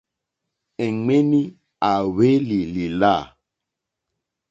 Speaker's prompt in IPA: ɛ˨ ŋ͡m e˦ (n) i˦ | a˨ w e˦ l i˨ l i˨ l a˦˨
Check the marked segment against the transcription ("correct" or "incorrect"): correct